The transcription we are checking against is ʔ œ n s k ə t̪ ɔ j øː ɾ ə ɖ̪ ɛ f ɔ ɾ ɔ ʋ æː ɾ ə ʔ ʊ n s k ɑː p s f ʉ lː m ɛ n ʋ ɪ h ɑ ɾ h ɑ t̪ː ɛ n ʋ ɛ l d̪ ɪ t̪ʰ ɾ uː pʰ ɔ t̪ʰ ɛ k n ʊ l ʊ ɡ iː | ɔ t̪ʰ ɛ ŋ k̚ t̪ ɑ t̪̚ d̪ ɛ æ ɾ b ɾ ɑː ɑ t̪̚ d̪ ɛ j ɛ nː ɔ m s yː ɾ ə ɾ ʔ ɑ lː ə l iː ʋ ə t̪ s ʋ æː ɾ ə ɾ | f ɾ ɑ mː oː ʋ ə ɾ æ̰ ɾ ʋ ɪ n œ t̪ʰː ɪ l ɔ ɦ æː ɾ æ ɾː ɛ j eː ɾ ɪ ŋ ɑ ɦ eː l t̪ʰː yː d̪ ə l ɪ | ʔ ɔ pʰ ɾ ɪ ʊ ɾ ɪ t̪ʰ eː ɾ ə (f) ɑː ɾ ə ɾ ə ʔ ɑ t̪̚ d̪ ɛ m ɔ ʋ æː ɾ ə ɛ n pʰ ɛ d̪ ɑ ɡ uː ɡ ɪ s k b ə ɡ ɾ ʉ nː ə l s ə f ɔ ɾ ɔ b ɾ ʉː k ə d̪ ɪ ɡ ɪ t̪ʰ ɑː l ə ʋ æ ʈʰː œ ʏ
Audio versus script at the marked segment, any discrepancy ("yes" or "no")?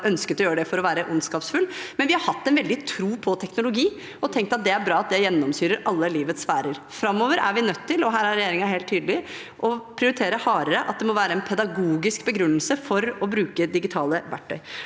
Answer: yes